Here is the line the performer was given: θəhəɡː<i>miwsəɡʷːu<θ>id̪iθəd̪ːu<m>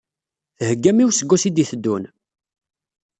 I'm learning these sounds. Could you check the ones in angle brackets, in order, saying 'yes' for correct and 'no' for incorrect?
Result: no, no, no

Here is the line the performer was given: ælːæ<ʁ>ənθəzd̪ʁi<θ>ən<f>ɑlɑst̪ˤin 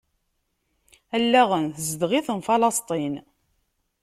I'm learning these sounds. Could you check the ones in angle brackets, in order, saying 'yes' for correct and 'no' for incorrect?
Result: yes, yes, yes

